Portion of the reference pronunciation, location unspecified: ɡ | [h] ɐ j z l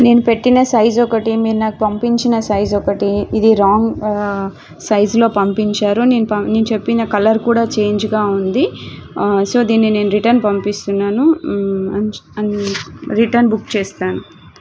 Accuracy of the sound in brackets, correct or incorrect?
incorrect